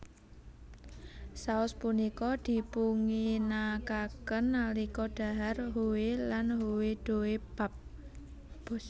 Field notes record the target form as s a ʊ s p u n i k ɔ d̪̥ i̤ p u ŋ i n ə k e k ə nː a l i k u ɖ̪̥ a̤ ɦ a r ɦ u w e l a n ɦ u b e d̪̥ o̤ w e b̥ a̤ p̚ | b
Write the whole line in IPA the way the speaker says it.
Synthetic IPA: s a ʊ s p u n i k ɔ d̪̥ i̤ p u ŋ i n a k a k ə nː a l i k ɔ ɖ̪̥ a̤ ɦ a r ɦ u w e l a n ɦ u w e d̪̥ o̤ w e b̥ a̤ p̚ | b